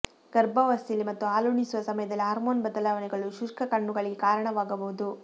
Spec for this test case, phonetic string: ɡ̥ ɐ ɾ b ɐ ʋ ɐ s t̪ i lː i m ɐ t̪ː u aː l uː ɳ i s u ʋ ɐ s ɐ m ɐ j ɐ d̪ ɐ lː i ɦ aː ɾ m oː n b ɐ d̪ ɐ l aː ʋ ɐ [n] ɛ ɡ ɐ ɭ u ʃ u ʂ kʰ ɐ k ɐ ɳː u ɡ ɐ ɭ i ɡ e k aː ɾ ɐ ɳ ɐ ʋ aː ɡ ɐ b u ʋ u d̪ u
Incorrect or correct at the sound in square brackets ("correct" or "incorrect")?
correct